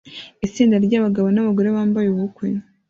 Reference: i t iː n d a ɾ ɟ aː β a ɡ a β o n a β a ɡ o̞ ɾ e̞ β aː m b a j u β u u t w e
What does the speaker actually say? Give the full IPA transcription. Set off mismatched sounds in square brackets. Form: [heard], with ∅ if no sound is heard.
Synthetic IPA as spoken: i [t͡s] iː n d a ɾ ɟ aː β a ɡ a β o n a β a ɡ o̞ ɾ e̞ β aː m b a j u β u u [k] w e